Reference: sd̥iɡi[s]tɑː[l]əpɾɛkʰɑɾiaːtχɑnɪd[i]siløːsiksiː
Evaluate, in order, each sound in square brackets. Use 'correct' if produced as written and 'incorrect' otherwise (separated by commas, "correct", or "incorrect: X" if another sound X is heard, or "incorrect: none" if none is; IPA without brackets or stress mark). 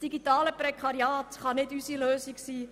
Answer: incorrect: none, correct, incorrect: y